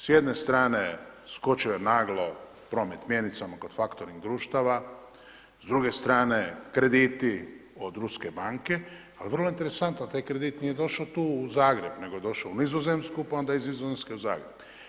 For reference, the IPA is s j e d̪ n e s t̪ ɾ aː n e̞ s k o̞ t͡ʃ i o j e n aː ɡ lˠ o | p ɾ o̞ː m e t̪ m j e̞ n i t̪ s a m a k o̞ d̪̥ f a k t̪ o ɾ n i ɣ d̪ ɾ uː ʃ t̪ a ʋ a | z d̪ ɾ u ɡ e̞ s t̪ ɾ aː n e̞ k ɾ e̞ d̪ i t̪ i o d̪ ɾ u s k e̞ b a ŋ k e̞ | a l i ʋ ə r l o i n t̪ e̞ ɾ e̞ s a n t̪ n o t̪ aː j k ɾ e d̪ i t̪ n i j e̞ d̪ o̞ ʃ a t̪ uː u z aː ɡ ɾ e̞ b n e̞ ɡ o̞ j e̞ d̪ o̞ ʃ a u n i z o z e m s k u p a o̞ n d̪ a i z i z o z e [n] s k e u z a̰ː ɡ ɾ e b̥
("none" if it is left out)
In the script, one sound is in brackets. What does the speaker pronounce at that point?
m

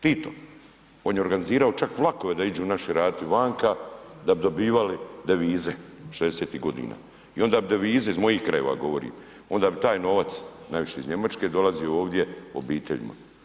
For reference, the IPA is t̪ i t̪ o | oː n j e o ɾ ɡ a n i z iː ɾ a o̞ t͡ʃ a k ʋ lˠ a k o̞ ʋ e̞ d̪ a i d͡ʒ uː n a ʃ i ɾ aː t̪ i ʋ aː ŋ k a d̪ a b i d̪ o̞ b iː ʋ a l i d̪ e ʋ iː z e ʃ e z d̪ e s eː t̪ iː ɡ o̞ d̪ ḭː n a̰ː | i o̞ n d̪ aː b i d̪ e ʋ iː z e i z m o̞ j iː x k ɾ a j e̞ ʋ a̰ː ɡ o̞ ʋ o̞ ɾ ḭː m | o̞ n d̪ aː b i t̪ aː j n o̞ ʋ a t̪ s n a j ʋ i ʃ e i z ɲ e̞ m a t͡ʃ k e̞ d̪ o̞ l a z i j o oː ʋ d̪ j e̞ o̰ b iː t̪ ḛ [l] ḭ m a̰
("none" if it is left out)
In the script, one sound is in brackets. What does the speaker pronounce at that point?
ʎ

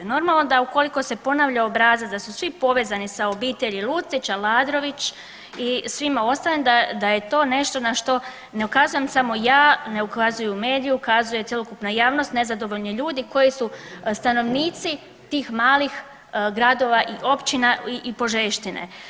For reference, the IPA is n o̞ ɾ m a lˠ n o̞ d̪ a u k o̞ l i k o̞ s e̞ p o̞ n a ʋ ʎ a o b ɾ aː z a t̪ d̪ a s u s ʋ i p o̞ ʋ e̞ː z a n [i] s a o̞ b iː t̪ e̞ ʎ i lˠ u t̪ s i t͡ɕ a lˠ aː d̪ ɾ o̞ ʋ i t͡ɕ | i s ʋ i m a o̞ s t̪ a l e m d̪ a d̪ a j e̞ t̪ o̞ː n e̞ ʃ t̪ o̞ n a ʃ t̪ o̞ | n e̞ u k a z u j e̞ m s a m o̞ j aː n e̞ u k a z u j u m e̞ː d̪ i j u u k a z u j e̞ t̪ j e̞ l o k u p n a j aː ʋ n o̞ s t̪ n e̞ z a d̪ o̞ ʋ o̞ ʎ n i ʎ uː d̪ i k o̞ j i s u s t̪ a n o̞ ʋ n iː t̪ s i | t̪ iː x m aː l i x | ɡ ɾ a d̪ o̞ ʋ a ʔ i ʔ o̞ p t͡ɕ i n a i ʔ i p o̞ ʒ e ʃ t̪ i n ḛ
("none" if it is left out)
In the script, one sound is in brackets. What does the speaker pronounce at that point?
i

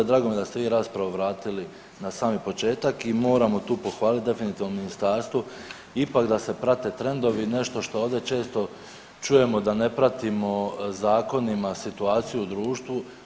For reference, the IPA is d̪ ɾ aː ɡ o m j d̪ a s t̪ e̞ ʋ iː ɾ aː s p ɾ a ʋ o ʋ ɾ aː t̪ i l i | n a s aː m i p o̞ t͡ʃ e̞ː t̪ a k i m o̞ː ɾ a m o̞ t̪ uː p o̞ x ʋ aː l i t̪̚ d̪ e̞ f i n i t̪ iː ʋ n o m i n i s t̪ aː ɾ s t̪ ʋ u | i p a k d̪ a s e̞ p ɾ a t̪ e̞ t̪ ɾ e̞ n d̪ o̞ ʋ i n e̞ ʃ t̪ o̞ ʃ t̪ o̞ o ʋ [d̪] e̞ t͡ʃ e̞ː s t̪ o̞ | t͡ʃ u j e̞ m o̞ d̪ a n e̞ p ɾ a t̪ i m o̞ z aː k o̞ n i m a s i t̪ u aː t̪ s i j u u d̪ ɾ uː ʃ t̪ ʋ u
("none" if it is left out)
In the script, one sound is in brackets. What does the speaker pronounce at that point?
d̪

